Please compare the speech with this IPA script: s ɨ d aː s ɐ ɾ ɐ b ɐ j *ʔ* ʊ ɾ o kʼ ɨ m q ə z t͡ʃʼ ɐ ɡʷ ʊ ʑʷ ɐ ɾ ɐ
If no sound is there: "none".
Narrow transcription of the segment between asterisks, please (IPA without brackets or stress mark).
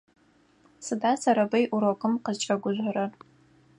ʔ